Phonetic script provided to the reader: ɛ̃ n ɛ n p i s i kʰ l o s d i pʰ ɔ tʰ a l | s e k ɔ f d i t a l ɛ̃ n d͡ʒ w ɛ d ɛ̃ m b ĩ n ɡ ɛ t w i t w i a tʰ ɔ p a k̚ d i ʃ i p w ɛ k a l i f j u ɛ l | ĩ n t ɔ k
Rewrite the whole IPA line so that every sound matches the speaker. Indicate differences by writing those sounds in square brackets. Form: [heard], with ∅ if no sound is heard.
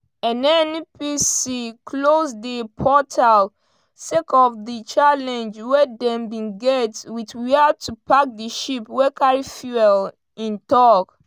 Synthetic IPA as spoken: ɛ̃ n ɛ n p i s i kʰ l o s d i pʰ ɔ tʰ a l | s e k ɔ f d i [t͡ʃ] a l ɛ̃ n d͡ʒ w ɛ d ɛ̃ m b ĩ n ɡ ɛ t w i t w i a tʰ [u] p a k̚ d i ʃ i p w ɛ k a [ɹ] i f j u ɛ l | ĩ n t ɔ k